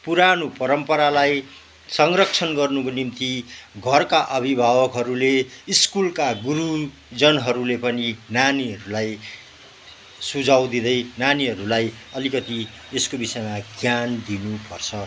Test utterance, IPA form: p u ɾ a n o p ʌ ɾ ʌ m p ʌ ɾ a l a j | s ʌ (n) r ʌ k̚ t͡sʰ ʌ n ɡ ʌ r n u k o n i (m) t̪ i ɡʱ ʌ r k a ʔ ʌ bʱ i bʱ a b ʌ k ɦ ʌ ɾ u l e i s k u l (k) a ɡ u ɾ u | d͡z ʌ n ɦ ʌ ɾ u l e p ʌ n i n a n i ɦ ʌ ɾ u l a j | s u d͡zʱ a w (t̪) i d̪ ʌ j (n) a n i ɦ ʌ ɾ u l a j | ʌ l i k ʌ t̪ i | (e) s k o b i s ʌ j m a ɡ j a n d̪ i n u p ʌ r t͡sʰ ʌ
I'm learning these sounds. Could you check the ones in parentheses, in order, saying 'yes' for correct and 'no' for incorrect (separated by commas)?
no, yes, yes, no, yes, yes